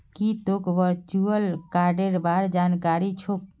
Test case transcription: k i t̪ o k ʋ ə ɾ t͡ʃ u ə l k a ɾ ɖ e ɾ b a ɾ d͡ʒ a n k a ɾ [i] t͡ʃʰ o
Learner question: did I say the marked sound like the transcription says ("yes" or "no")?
yes